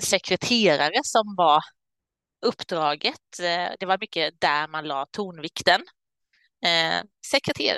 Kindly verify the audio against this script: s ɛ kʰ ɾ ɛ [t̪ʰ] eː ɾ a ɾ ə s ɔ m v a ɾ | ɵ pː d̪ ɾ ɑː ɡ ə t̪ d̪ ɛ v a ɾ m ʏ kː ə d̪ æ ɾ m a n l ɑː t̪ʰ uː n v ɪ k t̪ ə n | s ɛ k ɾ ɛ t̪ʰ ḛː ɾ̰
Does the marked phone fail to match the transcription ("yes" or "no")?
no